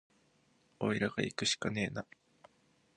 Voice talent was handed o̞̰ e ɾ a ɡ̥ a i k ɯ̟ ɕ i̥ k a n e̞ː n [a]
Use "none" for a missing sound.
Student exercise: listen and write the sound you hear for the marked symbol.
a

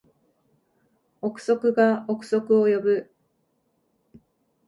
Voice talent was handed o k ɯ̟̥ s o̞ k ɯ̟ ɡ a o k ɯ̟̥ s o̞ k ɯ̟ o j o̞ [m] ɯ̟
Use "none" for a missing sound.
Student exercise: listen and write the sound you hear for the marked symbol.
b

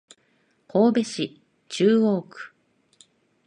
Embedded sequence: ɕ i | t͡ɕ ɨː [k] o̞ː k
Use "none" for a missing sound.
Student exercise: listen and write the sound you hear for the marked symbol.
none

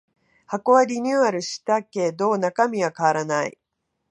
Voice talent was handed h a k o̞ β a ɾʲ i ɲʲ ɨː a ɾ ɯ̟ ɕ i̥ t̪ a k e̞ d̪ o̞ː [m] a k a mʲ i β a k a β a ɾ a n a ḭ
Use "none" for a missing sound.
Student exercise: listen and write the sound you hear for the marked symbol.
n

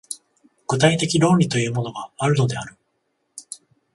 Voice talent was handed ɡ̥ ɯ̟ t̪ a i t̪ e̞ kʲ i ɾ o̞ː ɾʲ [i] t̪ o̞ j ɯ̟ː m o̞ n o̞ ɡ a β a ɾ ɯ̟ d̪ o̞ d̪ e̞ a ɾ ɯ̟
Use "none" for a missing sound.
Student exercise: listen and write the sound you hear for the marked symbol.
i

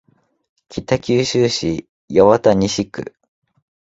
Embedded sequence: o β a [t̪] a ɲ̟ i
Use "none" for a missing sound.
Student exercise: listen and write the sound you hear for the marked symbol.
t̪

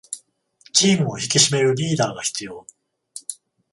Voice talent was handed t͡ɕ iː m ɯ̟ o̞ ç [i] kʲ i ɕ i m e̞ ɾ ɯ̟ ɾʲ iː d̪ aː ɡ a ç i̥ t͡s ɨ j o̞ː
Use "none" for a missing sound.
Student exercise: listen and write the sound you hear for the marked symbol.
i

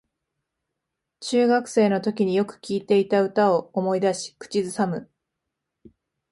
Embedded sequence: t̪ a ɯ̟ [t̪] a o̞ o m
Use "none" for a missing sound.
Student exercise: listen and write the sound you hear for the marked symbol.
t̪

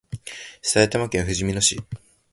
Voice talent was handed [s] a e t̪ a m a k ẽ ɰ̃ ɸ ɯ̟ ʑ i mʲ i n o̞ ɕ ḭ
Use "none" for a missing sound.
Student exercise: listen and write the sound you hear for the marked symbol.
s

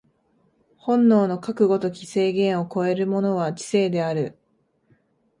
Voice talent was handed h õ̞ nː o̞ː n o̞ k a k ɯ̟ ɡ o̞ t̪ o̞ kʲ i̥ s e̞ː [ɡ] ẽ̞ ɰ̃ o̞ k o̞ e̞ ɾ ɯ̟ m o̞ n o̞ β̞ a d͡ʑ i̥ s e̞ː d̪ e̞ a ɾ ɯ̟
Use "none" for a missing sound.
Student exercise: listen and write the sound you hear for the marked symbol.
ɡ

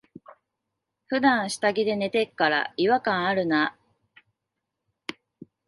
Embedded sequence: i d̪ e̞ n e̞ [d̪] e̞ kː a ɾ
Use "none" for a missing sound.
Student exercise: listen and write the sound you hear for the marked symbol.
t̪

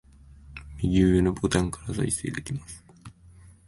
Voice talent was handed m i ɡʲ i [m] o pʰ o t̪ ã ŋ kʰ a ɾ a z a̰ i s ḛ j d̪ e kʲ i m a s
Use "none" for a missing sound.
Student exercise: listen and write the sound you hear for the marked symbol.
n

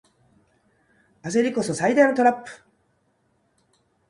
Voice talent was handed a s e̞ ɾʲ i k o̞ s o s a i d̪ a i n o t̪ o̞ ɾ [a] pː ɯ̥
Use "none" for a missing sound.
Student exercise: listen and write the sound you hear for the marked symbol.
a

